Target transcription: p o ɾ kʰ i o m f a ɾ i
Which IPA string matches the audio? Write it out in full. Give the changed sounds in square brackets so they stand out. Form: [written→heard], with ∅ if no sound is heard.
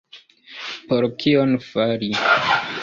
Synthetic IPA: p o ɾ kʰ i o [m→n] f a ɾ i